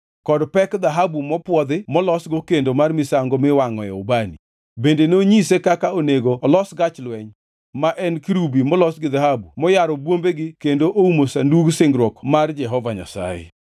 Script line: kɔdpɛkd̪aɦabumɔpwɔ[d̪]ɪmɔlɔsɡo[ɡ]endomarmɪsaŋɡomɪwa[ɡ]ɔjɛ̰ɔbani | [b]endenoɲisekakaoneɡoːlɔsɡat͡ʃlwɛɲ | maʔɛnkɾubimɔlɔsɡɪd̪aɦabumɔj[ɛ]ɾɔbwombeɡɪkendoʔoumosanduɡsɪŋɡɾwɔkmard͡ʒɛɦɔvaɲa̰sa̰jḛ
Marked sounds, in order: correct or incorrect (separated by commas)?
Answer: correct, incorrect, incorrect, correct, incorrect